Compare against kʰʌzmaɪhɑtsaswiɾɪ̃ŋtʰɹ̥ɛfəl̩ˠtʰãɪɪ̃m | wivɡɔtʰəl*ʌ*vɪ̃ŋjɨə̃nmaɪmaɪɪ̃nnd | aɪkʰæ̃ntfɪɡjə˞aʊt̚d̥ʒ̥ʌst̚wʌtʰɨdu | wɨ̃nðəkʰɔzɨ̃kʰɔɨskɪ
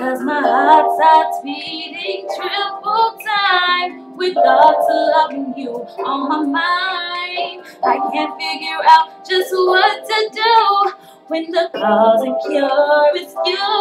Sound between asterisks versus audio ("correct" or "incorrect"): correct